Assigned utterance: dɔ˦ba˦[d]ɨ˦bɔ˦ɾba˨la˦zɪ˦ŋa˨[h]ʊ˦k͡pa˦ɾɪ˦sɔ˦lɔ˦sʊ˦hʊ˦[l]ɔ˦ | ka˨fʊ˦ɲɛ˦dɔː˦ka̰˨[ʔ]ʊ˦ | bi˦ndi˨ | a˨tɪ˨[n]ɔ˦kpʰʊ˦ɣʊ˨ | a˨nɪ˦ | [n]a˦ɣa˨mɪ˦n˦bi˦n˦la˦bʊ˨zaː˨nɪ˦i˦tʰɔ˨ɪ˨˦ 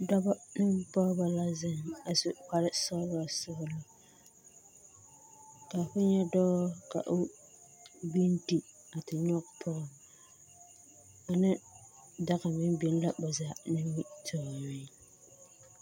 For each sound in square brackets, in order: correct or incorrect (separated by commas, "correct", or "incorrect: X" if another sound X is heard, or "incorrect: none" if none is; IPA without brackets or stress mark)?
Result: incorrect: n, incorrect: s, correct, correct, incorrect: ɲ, incorrect: d